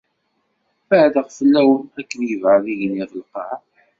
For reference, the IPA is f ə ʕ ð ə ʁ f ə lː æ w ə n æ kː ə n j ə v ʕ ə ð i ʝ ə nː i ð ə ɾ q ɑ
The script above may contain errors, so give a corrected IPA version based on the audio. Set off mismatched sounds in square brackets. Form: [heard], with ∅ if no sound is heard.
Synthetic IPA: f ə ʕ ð ə ʁ f ə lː æ w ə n æ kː ə n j ə v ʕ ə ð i ʝ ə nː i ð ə [l] q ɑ